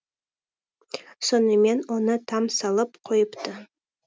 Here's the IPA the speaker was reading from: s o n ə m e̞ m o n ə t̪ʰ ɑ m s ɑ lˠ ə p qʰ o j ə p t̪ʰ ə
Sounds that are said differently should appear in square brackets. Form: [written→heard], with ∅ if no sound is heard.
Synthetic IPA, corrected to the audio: s o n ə m e̞ [m→n] o n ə t̪ʰ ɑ m s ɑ lˠ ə p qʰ o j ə p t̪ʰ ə

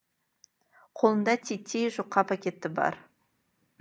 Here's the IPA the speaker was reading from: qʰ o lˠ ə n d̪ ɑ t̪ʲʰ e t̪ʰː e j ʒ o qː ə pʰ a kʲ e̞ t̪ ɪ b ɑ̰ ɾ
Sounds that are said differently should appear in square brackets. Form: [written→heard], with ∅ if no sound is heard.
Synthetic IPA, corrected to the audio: qʰ o lˠ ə n d̪ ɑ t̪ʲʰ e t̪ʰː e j ʒ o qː [ə→ɑ] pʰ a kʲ e̞ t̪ ɪ b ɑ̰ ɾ

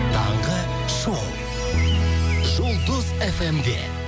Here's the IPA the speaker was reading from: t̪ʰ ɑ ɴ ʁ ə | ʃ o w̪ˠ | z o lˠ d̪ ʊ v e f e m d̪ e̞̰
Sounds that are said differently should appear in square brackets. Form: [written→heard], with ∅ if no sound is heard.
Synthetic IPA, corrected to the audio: t̪ʰ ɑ ɴ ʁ ə | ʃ o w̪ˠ | [z→ʒ] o lˠ d̪ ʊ [v→z] e f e m d̪ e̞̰

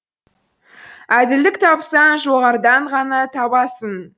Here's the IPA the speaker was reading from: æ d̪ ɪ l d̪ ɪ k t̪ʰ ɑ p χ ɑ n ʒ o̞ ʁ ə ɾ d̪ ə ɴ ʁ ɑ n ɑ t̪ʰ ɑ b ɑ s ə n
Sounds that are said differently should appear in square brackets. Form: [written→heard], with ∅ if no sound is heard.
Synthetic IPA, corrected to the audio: æ d̪ ɪ l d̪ ɪ k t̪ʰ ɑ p [χ→s] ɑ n ʒ o̞ ʁ [ə→ɑ] ɾ d̪ [ə→ɑ] ɴ ʁ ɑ n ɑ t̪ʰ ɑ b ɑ s ə n

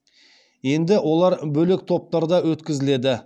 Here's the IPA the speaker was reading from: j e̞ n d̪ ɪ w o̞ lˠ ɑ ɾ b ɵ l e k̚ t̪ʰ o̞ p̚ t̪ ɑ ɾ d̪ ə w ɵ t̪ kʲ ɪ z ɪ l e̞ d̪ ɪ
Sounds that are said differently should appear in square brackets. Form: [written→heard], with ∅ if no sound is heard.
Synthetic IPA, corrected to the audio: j e̞ n d̪ ɪ w o̞ lˠ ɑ ɾ b ɵ l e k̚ t̪ʰ o̞ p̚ t̪ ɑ ɾ d̪ [ə→ɑ] w ɵ t̪ kʲ ɪ z ɪ l e̞ d̪ ɪ

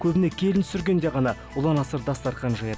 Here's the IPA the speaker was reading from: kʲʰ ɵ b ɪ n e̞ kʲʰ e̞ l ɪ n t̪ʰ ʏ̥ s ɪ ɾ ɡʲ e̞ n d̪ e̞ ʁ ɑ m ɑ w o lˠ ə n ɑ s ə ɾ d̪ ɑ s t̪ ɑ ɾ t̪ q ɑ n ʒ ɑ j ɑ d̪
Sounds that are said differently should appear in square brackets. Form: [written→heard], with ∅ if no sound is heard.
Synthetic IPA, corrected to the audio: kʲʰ ɵ b ɪ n e̞ kʲʰ e̞ l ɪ n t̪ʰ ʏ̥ s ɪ ɾ ɡʲ e̞ n d̪ e̞ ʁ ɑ [m→n] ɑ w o lˠ [ə→ɑ] n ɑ s ə ɾ d̪ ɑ s t̪ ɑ ɾ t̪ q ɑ n ʒ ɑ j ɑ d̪

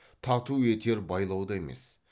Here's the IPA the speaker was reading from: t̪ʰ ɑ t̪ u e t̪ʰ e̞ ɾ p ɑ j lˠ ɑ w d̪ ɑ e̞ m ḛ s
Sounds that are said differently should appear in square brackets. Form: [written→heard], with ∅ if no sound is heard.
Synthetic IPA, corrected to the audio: t̪ʰ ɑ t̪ u e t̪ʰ e̞ ɾ [p→b] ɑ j lˠ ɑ w d̪ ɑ e̞ m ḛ s

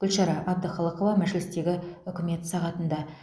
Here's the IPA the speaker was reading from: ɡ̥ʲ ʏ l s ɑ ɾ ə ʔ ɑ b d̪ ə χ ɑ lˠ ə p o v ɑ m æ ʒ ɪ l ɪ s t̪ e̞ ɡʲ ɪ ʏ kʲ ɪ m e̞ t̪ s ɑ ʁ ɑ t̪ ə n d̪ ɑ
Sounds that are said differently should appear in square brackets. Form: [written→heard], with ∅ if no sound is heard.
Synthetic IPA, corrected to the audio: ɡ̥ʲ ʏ l [s→ʃ] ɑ ɾ [ə→ɑ] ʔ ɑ b d̪ ə χ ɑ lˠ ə [p→q] o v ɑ m æ ʒ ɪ l ɪ s t̪ e̞ ɡʲ ɪ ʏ kʲ ɪ m e̞ t̪ s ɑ ʁ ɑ t̪ ə n d̪ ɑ

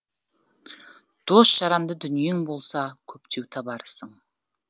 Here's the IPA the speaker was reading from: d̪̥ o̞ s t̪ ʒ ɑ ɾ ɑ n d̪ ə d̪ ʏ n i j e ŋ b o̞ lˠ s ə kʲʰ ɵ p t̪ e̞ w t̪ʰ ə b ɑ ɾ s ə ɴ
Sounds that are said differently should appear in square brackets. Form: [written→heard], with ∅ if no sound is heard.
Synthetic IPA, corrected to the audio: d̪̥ o̞ s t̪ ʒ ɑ ɾ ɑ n d̪ ə d̪ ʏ n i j e ŋ b o̞ lˠ s [ə→ɑ] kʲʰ ɵ p t̪ e̞ w t̪ʰ [ə→ɑ] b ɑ ɾ s ə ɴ

